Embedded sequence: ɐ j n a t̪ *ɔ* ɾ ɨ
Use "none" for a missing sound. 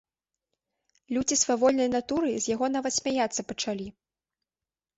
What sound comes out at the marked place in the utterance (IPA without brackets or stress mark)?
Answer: u